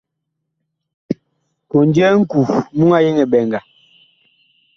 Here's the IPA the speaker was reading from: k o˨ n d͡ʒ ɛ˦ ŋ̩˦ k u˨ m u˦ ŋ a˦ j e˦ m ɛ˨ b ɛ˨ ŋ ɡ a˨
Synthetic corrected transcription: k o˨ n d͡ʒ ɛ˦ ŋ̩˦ k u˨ m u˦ ŋ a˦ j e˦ ŋ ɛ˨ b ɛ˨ ŋ ɡ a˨